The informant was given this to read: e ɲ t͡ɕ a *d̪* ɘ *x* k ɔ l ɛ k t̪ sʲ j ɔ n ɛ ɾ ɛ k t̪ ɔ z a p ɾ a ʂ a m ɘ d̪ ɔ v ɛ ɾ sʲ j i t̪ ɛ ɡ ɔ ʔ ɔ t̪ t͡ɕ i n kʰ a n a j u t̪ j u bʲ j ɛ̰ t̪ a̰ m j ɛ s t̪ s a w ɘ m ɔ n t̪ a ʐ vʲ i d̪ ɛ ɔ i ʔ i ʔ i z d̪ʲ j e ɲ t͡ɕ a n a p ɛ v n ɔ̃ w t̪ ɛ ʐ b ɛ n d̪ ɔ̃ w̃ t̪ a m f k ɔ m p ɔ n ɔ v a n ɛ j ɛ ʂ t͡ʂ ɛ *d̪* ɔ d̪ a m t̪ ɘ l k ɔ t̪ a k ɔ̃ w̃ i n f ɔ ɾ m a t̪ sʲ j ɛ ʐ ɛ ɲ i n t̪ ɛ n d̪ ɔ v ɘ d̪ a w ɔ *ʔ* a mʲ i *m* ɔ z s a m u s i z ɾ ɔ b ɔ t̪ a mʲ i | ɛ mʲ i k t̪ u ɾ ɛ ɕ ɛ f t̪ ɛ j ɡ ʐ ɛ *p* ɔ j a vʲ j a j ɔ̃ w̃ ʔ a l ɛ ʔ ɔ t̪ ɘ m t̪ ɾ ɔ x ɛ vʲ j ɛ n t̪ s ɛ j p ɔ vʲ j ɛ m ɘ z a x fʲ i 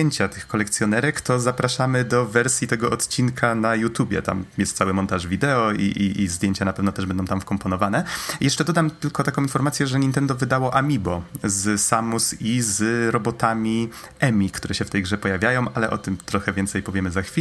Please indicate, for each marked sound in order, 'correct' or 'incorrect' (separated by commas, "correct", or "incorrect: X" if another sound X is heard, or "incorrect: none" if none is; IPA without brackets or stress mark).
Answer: incorrect: t̪, correct, correct, correct, incorrect: b, correct